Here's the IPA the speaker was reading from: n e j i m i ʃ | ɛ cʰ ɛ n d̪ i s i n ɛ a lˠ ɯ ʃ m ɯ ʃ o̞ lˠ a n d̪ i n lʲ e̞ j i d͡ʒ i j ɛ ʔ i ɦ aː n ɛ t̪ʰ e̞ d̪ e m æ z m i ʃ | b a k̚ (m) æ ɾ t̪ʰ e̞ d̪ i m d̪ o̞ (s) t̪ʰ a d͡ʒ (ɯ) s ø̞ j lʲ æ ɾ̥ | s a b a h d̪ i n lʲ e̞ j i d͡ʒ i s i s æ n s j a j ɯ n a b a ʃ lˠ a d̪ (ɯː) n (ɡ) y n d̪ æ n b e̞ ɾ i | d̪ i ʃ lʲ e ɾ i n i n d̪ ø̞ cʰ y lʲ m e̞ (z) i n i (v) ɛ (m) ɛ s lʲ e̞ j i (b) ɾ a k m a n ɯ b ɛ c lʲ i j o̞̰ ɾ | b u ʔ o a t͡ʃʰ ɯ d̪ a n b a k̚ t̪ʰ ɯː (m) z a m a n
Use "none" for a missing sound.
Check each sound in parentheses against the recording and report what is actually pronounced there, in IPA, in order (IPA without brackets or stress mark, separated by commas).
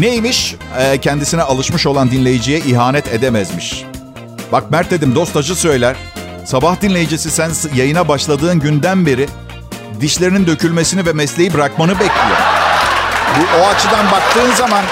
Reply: m, s, ɯ, ɯː, ɟ, s, v, m, b, n